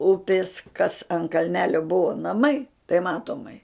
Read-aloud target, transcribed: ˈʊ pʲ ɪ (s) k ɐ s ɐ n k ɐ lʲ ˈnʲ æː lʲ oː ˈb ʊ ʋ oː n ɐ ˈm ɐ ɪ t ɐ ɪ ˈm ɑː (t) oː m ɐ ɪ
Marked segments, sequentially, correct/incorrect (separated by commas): correct, correct